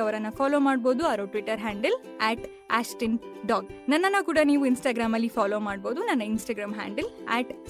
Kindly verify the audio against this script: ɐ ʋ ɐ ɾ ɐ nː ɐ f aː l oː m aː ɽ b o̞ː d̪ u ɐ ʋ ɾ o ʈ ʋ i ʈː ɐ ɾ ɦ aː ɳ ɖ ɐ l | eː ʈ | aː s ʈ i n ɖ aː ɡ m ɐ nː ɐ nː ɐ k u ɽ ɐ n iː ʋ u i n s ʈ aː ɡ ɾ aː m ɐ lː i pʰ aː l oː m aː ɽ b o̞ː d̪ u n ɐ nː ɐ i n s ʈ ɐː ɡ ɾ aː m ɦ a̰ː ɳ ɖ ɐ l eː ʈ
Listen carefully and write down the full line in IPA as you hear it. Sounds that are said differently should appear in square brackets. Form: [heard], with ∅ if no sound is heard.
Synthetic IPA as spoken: ɐ ʋ ɐ ɾ ɐ nː ɐ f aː l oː m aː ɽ b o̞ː d̪ u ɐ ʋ ɾ o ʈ ʋ i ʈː ɐ ɾ ɦ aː ɳ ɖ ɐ l | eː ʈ | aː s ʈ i n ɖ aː ɡ [n] ɐ nː ɐ nː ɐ k [uː] ɽ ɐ n iː ʋ u i n s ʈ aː ɡ ɾ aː m ɐ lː i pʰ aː l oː m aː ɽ b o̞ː d̪ u n ɐ nː ɐ i n s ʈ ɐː ɡ ɾ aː m ɦ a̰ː ɳ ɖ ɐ l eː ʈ